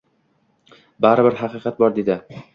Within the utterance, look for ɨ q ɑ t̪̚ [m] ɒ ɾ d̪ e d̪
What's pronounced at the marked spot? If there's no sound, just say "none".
b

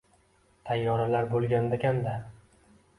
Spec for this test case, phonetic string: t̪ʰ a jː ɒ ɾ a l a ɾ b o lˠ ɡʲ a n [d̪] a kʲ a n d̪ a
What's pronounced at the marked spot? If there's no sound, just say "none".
d̪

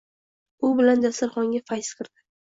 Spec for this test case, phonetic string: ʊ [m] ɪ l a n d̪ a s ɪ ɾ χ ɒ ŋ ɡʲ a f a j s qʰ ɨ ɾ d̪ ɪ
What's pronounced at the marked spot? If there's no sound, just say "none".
b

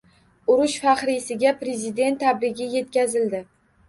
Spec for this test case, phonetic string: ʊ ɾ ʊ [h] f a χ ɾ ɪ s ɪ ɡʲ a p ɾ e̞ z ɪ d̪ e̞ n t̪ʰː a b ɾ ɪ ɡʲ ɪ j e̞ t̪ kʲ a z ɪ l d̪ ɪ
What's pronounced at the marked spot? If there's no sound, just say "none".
ʃ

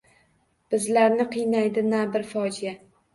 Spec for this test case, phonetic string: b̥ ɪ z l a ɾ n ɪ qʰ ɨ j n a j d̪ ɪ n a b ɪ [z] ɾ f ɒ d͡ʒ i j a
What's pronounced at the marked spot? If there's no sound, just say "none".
none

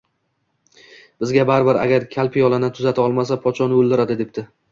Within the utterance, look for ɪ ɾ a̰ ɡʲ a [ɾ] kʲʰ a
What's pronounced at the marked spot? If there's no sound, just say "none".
ɾ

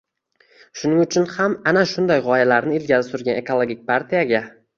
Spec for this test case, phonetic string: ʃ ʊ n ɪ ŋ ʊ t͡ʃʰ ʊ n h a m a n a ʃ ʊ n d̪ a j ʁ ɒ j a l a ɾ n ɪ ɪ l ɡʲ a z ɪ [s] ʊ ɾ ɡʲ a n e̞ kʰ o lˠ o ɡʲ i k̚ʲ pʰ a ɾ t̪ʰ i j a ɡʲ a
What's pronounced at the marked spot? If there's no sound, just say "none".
s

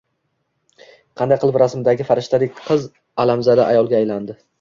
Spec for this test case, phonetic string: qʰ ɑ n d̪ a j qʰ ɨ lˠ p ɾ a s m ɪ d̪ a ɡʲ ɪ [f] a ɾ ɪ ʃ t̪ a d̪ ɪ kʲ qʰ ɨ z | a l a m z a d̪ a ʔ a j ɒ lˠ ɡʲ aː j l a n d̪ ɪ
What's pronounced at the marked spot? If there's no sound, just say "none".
f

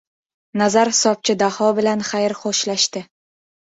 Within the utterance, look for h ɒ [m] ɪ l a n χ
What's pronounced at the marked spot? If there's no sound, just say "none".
b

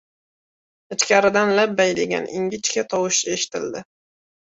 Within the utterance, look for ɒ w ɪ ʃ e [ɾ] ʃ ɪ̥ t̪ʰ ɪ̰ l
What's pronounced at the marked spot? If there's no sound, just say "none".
none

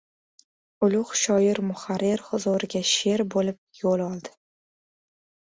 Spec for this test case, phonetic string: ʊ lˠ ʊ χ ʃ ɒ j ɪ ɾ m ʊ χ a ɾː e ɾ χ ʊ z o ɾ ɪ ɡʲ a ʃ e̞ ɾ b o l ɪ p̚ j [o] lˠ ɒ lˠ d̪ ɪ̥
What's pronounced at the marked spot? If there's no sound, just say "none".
o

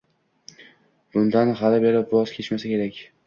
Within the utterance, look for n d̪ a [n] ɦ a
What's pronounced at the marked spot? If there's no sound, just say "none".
n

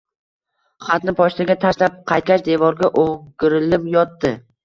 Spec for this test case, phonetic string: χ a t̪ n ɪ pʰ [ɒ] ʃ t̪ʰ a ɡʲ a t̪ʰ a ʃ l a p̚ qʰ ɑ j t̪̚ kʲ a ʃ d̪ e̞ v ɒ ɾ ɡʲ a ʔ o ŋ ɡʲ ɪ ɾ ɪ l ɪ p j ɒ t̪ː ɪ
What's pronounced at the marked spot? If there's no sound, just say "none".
ɒ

